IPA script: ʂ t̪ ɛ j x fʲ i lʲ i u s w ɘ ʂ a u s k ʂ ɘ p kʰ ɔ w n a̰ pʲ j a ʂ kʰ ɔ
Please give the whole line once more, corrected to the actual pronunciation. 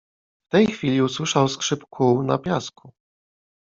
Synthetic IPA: f t̪ ɛ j x fʲ i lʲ i u s w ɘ ʂ a w s k ʂ ɘ p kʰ u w n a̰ pʲ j a s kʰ u